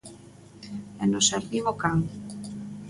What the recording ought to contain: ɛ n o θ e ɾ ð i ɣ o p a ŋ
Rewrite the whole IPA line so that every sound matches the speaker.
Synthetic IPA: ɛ n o s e ɾ ð i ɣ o k a ŋ

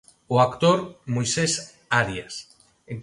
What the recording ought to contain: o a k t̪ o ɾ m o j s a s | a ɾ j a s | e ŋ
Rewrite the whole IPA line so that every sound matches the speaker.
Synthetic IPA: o a k t̪ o ɾ m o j s e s | a ɾ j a s | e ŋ

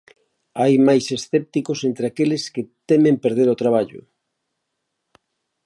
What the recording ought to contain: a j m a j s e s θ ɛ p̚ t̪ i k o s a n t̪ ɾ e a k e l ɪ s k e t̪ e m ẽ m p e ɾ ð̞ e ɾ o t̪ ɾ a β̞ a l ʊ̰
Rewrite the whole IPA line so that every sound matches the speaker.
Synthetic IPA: a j m a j s e s θ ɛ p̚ t̪ i k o s e n t̪ ɾ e a k e l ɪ s k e t̪ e m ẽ m p e ɾ ð̞ e ɾ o t̪ ɾ a β̞ a ʎ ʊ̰

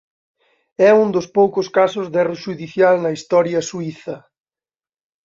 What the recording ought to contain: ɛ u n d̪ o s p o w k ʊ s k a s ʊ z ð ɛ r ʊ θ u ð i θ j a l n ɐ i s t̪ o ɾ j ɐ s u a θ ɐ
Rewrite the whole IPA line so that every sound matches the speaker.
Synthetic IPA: ɛ u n d̪ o s p o w k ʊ s k a s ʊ z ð ɛ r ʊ ʃ u ð i θ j a l n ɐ i s t̪ ɔ ɾ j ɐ s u i θ ɐ

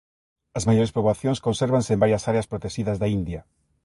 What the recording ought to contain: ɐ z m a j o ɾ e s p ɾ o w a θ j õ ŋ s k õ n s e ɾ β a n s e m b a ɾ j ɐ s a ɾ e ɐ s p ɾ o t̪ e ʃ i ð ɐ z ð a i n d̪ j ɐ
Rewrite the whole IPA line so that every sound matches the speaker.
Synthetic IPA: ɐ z m a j o ɾ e s p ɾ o β a θ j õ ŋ s k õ n s e ɾ β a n s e m b a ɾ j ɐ s a ɾ e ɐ s p ɾ o t̪ e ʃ i ð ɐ z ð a i n d̪ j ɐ

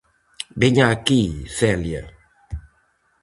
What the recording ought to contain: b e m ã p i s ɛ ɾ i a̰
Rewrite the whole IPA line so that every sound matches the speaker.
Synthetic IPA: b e ɲ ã k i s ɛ l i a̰

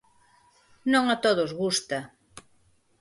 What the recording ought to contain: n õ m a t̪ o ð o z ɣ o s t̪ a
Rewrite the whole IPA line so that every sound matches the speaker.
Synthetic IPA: n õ ŋ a t̪ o ð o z ɣ u s t̪ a

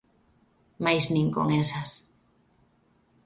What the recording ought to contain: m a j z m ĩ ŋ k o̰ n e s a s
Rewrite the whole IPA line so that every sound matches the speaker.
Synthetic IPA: m a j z n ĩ ŋ k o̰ ŋ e s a s

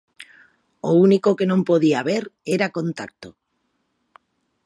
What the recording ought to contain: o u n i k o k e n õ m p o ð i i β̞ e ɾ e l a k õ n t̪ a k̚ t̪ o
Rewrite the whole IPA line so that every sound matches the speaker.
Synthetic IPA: o u n i k o k e n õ m p o ð i a β̞ e ɾ e ɾ a k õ n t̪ a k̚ t̪ o

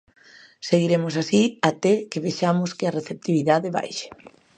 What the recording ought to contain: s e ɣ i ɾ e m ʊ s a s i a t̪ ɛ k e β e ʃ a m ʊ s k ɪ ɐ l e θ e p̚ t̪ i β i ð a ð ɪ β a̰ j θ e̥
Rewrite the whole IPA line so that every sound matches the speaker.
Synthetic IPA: s e ɣ i ɾ e m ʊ s a s i a t̪ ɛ k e β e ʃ a m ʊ s k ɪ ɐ r e θ e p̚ t̪ i β i ð a ð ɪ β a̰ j ʃ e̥

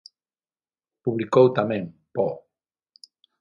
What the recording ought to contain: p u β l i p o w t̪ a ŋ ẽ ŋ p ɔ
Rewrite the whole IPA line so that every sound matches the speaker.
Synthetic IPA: p u β l i k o w t̪ a m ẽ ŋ p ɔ

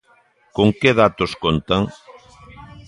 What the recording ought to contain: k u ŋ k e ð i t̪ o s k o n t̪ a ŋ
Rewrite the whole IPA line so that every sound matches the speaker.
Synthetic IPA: k o ŋ k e ð a t̪ o s k o n t̪ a ŋ

